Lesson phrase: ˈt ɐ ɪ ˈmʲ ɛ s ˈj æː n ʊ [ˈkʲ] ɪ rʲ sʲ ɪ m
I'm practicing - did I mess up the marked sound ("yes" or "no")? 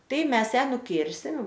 no